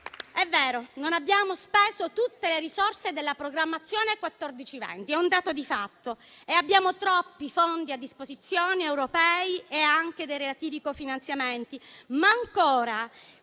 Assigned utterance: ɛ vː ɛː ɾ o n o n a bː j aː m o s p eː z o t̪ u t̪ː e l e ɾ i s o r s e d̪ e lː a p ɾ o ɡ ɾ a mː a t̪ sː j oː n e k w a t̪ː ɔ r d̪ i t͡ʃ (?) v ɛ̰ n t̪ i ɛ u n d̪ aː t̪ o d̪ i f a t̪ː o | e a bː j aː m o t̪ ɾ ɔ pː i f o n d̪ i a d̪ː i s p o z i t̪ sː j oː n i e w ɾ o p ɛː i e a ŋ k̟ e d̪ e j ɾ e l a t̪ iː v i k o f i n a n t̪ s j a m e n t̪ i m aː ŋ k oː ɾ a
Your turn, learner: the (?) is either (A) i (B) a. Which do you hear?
A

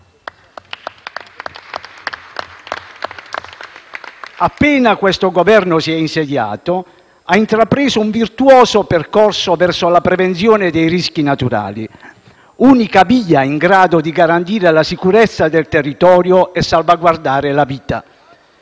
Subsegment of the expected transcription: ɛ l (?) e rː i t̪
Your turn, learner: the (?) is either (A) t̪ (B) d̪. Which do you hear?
A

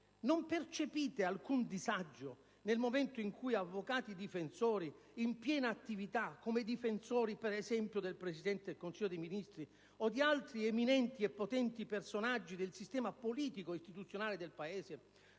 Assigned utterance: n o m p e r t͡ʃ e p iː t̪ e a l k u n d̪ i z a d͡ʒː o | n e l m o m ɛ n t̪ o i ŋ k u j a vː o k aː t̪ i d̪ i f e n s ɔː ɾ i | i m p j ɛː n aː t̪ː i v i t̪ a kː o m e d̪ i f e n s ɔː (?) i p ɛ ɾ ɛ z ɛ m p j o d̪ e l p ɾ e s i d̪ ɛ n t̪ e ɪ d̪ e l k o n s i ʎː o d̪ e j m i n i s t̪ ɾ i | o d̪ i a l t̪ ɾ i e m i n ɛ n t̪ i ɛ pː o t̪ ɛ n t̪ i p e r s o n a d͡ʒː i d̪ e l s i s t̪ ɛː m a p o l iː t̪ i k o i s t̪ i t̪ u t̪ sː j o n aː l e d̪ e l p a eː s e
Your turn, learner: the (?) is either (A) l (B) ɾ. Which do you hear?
B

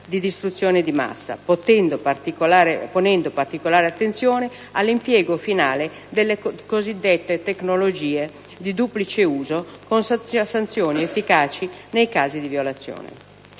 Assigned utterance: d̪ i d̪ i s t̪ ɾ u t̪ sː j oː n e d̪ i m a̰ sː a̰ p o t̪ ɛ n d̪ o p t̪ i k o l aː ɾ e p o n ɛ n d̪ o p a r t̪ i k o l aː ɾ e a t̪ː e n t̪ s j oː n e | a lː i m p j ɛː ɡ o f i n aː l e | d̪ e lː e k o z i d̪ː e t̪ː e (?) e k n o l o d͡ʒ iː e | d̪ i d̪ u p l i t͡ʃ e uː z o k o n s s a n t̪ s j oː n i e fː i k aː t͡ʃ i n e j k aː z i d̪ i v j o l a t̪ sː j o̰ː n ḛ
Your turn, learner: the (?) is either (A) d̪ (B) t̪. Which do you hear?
B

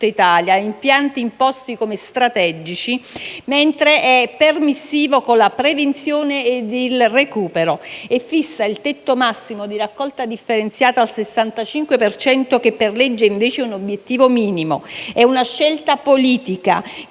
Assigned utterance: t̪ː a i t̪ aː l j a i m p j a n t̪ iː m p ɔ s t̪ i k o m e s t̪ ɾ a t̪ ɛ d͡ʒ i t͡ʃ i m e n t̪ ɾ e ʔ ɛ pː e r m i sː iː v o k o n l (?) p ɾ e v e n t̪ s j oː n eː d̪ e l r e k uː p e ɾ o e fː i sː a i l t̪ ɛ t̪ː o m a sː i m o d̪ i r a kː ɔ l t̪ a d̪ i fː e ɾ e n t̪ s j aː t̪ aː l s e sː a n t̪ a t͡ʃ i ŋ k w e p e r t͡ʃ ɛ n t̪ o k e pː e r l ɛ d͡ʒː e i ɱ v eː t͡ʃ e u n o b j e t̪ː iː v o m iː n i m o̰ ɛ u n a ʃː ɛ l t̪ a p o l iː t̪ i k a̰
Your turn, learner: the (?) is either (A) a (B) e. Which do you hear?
A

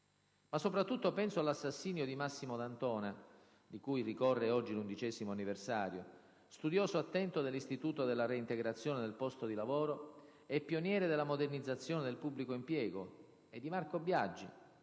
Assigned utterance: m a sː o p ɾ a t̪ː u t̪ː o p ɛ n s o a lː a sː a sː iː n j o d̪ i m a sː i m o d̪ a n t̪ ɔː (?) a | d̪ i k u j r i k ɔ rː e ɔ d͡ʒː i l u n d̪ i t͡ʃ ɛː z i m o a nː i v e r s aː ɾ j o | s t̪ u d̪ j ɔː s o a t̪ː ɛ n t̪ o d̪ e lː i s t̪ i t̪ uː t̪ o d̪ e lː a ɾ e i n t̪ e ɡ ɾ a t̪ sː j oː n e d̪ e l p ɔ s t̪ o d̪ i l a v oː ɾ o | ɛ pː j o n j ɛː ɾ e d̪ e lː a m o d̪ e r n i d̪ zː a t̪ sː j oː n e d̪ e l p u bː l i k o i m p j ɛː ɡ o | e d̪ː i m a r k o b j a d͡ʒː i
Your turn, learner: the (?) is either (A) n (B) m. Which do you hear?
A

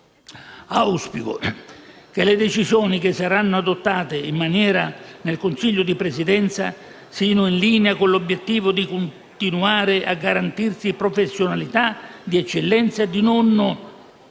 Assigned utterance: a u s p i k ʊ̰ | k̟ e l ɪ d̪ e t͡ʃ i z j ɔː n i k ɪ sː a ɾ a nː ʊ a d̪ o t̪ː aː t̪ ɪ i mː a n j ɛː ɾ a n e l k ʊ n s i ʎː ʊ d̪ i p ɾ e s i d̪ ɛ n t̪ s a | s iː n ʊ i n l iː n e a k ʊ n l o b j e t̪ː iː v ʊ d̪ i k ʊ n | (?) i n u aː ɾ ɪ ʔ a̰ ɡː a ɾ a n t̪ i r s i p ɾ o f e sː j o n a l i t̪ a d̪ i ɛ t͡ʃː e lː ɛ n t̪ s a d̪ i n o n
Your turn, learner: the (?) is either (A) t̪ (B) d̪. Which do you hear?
A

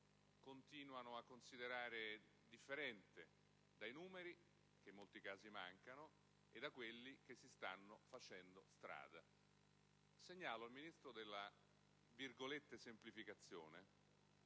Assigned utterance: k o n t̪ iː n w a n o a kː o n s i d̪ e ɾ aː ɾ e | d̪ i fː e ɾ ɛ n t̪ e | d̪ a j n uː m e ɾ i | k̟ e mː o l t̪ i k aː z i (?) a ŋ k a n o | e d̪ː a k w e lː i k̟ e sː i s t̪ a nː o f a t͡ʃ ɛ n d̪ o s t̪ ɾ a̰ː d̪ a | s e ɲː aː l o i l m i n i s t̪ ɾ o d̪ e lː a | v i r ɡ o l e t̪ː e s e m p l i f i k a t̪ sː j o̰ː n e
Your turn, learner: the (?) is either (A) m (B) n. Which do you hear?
A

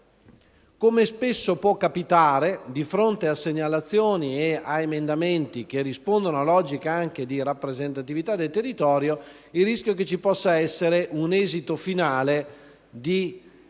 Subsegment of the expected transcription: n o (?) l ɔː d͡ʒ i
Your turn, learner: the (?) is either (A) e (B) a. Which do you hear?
B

